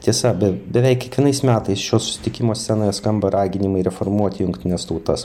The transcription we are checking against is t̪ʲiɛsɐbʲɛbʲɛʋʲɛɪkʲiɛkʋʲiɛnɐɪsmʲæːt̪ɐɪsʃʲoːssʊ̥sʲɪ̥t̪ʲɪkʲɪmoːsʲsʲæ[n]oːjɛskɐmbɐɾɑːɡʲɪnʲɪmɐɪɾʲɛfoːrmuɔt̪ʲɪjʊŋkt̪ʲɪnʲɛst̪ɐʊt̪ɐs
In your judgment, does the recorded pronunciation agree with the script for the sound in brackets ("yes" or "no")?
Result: yes